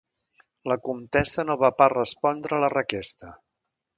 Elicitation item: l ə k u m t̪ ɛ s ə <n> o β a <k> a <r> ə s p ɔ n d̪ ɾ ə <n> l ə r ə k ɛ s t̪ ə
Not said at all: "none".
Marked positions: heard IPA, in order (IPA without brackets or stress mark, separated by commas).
n, p, r, none